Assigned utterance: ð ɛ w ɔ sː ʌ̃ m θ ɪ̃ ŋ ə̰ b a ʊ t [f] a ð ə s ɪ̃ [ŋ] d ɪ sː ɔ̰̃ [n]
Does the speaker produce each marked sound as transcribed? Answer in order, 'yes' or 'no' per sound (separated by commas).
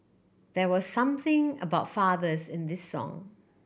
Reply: yes, no, no